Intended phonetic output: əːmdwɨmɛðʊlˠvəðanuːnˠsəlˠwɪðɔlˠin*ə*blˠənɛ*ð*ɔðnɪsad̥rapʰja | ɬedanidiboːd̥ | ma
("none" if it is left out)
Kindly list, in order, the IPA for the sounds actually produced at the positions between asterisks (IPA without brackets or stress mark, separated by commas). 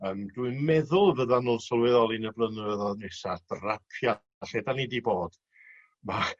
ə, ð